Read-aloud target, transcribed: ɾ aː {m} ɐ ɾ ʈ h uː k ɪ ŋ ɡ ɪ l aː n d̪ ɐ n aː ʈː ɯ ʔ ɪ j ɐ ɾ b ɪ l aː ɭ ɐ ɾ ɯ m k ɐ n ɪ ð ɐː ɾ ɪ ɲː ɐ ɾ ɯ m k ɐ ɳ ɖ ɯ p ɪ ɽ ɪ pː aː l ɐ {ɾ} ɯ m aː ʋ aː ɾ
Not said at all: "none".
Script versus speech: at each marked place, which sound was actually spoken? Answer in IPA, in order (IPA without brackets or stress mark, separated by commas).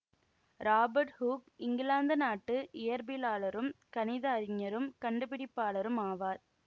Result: b, ɾ